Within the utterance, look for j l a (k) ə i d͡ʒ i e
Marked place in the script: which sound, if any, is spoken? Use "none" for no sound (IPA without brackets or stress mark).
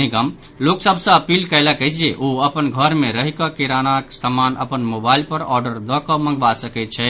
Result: k